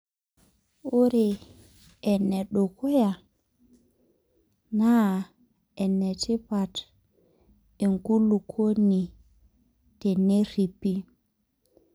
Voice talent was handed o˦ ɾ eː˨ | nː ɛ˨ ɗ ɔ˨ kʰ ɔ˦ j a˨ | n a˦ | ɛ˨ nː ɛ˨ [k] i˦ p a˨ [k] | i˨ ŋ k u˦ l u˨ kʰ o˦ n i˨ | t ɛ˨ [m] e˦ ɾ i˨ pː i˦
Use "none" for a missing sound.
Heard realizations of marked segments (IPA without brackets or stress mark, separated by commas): t, t, n